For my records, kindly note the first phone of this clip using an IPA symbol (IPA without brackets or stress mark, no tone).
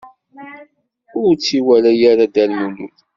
ʊ